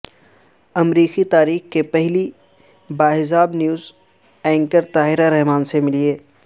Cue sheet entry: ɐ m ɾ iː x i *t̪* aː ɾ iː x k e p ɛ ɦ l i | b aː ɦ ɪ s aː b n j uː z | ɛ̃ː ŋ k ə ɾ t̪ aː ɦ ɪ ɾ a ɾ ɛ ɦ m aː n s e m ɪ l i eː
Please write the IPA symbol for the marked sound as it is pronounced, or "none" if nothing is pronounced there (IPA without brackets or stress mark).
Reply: t̪